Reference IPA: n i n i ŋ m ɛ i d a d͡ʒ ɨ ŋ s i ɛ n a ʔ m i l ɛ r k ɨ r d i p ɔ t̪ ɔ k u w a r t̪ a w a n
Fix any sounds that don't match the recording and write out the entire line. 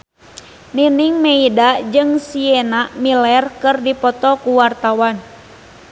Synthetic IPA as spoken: n i n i ŋ m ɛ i d a d͡ʒ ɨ ŋ s i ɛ n a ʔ m i l ɛ r k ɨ r d i p ɔ t̪ ɔ k u w a r t̪ a w a n